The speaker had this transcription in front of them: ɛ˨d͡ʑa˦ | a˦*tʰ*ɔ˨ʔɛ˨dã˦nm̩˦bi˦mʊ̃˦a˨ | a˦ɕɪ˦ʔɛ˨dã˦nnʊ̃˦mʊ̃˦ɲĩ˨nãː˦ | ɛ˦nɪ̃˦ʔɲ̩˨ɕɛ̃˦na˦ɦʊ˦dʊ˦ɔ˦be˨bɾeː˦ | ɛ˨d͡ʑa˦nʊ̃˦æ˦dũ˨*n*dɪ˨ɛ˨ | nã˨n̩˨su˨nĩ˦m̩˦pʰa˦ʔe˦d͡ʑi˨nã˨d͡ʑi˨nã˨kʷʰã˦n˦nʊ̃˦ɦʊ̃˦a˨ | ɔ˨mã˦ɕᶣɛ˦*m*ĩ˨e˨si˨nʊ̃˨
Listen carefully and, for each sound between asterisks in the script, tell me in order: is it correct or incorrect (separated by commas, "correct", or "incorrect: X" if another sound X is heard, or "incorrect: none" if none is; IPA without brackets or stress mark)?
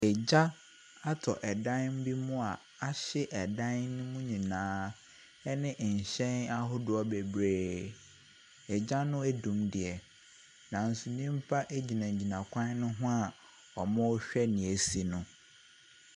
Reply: correct, incorrect: m, incorrect: n